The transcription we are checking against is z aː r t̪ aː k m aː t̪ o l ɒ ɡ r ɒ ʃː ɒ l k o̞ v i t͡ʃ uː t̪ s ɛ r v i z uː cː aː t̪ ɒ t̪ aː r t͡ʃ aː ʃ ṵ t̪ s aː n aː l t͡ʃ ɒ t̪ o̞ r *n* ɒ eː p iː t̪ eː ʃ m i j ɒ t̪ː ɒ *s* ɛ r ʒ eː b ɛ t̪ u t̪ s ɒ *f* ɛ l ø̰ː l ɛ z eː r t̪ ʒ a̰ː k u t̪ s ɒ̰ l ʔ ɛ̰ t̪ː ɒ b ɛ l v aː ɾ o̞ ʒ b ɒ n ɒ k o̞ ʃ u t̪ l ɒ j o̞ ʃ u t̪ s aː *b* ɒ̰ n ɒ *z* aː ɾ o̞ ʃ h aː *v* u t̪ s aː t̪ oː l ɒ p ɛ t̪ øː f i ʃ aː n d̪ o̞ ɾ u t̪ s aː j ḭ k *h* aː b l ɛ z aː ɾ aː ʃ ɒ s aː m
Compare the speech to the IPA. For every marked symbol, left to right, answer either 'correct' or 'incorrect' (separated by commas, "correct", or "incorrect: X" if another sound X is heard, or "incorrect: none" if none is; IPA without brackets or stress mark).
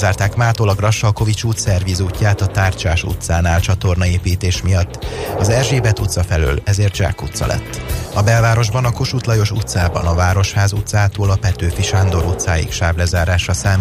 correct, incorrect: z, correct, correct, incorrect: v, incorrect: z, incorrect: ʃ